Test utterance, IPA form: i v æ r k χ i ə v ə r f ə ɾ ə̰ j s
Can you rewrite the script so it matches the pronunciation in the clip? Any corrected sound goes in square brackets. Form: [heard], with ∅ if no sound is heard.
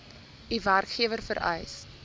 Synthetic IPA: i v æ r k χ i ə v ə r f ə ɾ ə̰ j s

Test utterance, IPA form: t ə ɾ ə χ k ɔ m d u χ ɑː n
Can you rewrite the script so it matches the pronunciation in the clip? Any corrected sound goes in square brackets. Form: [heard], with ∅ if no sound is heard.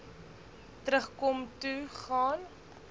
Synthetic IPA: t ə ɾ ə χ k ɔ m [t] u χ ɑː n

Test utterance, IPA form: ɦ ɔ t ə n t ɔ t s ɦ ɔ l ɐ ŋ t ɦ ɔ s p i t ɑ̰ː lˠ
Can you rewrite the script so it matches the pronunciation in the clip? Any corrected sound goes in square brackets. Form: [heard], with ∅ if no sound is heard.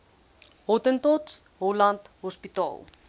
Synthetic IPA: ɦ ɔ t ə n t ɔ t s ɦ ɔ l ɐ [n] t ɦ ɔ s p i t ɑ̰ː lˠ

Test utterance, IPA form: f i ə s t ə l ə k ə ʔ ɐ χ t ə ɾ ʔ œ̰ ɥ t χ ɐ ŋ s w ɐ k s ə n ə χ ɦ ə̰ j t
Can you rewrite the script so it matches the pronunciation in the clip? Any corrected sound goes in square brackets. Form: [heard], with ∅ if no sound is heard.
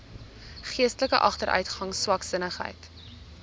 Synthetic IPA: [χ] i ə s t ə l ə k ə ʔ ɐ χ t ə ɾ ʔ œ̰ ɥ t χ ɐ ŋ s w ɐ k s ə n ə χ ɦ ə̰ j t

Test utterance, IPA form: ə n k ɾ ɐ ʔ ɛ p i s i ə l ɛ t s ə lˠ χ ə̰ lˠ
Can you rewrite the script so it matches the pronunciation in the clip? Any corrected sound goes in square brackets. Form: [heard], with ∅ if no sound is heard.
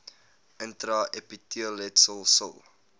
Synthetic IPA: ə n [t] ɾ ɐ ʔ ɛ p i [t] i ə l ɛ t s ə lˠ [s] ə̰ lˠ

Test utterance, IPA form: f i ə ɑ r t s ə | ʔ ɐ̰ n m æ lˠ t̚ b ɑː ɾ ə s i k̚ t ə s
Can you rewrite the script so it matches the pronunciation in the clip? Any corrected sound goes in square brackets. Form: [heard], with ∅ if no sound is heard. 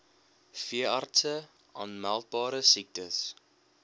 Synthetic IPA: f i ə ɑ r t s ə | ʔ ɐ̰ n m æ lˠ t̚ b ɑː ɾ ə s i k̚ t ə s

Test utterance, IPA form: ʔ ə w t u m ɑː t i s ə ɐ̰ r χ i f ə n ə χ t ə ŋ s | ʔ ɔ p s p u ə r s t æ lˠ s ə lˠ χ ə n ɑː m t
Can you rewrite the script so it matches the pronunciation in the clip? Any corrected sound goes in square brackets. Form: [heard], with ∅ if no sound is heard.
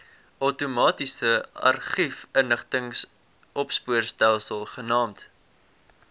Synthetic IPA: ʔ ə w t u m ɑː t i s ə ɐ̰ r χ i f ə n ə χ t ə ŋ s | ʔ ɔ p s p u ə r s t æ lˠ s ə lˠ χ ə n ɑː m t

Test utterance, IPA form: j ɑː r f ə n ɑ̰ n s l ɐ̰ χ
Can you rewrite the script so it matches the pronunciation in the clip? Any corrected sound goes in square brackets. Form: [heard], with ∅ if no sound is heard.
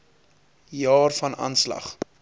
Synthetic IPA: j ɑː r f [ɐ] n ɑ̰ n s l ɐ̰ χ

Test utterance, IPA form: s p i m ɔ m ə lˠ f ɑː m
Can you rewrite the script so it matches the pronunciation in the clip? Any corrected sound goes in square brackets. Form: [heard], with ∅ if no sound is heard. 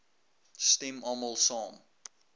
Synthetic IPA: s [t] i m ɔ m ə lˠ [s] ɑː m

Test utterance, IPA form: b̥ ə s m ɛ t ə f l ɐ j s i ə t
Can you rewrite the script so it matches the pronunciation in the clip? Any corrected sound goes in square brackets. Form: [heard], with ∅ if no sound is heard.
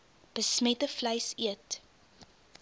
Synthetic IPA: b̥ ə s m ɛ t ə f l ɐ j s i ə t

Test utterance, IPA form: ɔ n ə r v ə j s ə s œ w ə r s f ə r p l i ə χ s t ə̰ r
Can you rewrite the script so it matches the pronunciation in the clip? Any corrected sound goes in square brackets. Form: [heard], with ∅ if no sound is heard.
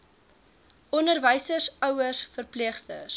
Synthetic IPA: ɔ n ə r v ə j s ə s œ w ə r s f ə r p l i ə χ s t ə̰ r

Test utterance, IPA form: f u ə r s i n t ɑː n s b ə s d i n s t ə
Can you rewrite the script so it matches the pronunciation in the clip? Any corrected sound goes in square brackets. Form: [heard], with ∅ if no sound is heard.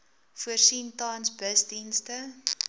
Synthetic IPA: f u ə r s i n t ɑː n s b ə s d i n s t ə

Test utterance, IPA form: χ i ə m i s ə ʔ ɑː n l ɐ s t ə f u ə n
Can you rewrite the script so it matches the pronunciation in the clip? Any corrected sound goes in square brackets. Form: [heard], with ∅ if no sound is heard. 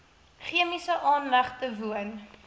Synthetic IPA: χ i ə m i s ə ʔ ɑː n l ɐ [χ] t ə [v] u ə n

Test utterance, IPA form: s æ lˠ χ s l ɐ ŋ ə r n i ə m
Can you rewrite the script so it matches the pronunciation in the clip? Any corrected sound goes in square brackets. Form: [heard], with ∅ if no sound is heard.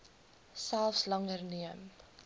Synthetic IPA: s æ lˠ [f] s l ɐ ŋ ə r n i ə m

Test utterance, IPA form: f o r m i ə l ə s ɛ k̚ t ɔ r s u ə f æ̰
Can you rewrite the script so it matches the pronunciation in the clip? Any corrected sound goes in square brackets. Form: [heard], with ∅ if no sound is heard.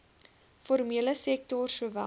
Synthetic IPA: f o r m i ə l ə s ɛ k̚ t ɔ r s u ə [v] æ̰

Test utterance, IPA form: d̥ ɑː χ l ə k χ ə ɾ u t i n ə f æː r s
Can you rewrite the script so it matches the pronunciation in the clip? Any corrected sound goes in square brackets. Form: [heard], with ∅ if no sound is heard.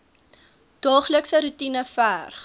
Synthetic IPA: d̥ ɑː χ l ə k [s] ə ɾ u t i n ə f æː r [χ]

